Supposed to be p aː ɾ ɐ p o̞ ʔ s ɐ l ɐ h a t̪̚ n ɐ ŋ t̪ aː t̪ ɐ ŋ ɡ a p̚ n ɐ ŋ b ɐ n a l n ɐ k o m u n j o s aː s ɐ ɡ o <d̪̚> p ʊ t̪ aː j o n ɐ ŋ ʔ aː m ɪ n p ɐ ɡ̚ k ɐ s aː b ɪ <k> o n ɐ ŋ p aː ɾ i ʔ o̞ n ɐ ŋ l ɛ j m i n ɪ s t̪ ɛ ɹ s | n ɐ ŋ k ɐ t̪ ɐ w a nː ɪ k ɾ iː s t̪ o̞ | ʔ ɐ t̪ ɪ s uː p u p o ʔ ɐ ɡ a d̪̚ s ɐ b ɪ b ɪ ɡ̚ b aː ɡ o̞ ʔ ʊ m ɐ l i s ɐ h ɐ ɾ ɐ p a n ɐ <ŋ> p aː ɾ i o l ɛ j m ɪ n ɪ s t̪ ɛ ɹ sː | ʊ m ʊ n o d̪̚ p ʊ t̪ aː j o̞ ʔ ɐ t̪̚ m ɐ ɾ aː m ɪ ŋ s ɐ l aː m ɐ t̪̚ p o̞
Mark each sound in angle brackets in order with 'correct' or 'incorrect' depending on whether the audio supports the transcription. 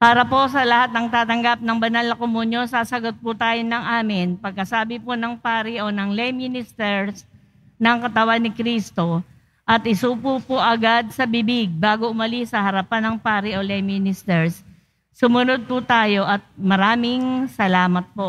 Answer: incorrect: t̪̚, incorrect: p, correct

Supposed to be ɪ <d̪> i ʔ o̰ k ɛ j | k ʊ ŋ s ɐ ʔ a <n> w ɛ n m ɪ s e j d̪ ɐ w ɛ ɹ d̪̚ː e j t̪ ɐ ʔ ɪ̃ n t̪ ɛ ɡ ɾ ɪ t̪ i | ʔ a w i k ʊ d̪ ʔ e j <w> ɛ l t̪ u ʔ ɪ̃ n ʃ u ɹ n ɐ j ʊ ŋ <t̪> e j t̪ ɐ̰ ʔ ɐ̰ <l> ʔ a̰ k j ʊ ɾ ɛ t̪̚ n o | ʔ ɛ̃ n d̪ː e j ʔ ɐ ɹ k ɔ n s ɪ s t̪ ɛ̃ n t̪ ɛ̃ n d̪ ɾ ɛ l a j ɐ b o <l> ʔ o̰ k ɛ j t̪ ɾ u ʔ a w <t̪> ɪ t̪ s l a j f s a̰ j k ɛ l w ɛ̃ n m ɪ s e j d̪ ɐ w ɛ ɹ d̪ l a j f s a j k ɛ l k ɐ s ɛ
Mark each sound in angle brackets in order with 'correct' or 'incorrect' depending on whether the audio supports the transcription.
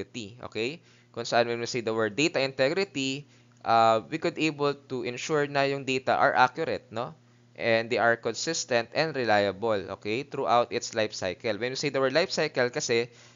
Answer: incorrect: t̪, correct, incorrect: b, incorrect: d̪, incorrect: ɹ, correct, correct

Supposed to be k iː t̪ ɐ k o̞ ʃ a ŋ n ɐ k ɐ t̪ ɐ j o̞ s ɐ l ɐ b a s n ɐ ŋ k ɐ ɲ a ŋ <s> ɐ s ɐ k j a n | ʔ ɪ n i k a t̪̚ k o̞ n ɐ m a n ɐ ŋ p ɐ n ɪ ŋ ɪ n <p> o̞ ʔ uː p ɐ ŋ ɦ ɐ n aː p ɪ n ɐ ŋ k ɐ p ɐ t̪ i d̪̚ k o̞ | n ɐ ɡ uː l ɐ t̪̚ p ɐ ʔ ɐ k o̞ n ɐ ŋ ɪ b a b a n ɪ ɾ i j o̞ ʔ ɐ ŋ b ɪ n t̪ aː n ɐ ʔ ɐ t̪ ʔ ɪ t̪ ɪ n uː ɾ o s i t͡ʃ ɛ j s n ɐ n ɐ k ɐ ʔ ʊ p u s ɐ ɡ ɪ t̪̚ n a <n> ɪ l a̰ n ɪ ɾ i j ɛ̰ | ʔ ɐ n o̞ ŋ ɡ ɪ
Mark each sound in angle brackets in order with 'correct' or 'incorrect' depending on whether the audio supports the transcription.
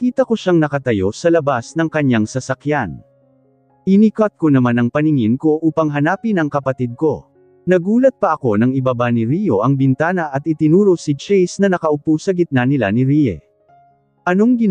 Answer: correct, incorrect: k, correct

